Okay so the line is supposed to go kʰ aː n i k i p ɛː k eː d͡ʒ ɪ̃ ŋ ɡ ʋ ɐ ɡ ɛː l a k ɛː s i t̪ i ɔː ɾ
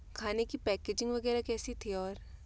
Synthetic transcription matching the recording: kʰ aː n e k i p ɛː k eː d͡ʒ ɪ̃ ŋ ɡ ʋ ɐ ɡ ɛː ɾ a k ɛː s i t̪ʰ i ɔː ɾ